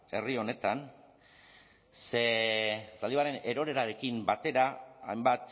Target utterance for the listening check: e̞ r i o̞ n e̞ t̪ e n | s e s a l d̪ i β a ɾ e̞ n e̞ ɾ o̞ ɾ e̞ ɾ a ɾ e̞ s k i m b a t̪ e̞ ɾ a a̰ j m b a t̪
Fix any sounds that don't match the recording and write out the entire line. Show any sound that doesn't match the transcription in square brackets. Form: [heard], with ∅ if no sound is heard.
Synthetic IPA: e̞ r i o̞ n e̞ t̪ [a] n | s e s a l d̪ i β a ɾ e̞ n e̞ ɾ o̞ ɾ e̞ ɾ a ɾ e̞ [∅] k i m b a t̪ e̞ ɾ a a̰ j m b a t̪